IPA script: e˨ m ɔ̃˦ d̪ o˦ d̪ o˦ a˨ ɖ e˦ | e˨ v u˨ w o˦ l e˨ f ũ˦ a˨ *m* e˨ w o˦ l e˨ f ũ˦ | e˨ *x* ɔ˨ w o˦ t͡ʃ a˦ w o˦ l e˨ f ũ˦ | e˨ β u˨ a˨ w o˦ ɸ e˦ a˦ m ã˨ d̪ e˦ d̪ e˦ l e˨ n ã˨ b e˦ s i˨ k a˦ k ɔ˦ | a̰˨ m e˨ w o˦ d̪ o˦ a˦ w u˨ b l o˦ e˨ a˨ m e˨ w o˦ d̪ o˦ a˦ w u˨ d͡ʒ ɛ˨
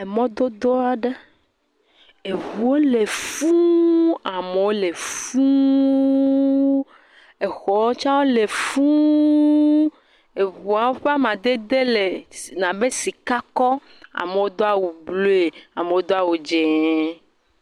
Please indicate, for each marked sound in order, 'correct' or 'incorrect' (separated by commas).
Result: correct, correct